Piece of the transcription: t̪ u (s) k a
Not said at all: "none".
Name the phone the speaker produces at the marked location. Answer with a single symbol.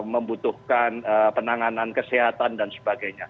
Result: h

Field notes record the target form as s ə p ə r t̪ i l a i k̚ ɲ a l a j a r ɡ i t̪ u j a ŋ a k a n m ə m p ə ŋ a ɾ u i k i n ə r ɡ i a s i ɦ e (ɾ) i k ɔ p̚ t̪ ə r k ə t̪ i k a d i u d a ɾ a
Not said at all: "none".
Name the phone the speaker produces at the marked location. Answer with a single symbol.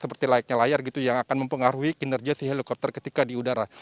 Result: l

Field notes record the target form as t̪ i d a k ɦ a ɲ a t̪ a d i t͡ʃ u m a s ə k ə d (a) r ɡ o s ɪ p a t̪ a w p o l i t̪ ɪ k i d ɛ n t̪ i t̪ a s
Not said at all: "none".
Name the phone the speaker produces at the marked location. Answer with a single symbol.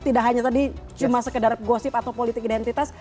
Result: a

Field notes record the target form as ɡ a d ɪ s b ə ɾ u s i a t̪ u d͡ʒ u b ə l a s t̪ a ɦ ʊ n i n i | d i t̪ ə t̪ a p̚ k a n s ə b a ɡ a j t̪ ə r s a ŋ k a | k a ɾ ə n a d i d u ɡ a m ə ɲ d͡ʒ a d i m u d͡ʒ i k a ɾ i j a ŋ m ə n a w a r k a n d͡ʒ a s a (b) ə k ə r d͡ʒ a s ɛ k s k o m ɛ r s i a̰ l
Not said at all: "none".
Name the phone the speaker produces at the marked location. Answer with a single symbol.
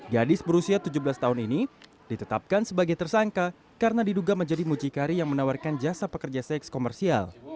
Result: p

